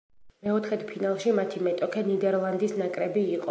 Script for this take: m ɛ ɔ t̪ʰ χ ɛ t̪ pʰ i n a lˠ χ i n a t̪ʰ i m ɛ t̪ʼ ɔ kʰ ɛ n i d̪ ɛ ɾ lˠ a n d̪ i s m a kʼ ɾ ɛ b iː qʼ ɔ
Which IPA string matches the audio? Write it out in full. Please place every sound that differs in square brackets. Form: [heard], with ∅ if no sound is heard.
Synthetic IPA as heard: m ɛ ɔ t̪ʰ χ ɛ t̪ pʰ i n a lˠ [ʃ] i [m] a t̪ʰ i m ɛ t̪ʼ ɔ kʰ ɛ n i d̪ ɛ ɾ lˠ a n d̪ i s [n] a kʼ ɾ ɛ b iː qʼ ɔ